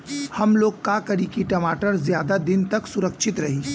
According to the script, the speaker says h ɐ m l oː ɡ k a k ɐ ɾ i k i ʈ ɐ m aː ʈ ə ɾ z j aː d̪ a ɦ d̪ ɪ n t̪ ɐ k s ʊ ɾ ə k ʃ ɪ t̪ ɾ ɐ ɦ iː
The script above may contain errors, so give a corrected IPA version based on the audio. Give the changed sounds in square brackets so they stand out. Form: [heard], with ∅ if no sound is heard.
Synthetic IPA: h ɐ m l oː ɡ k a k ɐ ɾ i k i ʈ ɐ m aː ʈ ə ɾ z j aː d̪ a [∅] d̪ ɪ n t̪ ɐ k s ʊ ɾ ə k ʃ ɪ t̪ ɾ ɐ ɦ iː